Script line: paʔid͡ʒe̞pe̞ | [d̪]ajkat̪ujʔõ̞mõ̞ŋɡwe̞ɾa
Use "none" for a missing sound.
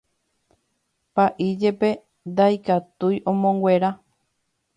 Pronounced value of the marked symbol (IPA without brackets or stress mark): d̪